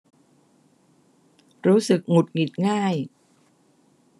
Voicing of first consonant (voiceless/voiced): voiced